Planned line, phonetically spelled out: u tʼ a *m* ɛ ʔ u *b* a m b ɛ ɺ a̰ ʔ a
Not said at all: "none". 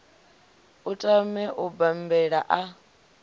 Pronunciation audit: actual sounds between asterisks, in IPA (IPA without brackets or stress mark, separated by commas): m, b